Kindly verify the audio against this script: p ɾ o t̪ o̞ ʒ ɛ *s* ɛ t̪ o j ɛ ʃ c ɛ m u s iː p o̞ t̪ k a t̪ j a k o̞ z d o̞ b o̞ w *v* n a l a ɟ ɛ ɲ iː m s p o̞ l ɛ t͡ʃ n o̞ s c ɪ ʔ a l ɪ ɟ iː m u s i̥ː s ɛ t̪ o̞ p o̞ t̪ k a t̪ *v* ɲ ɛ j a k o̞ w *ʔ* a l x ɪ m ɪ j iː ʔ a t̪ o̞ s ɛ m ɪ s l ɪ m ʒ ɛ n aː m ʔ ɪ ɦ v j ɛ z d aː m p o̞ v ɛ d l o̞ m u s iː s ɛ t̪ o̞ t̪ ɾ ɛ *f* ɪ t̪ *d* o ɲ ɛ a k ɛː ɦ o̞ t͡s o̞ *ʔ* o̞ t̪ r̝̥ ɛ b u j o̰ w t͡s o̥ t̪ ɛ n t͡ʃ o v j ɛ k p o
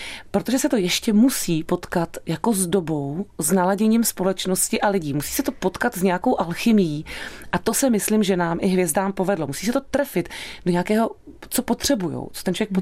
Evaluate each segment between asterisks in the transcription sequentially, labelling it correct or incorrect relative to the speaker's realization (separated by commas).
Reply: correct, incorrect, incorrect, correct, correct, correct, incorrect